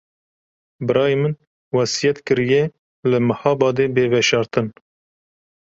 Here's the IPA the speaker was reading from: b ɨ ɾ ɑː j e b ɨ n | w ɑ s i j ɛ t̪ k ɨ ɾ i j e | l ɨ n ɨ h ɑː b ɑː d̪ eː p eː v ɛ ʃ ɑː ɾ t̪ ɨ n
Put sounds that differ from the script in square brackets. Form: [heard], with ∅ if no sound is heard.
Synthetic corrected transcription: b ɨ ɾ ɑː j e [m] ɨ n | w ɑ s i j ɛ t̪ k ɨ ɾ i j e | l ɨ [m] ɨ h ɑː b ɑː d̪ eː [b] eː v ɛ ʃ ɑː ɾ t̪ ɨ n